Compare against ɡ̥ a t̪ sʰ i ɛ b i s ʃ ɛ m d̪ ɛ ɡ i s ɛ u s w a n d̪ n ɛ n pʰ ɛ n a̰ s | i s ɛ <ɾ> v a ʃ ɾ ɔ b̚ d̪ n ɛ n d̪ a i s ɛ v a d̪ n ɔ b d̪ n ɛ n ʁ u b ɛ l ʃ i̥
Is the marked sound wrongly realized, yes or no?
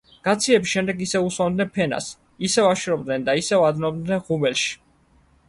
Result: yes